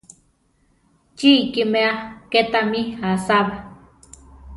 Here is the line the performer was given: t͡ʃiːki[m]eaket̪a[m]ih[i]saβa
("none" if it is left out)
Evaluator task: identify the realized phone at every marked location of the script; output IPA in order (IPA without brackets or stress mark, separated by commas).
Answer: m, m, a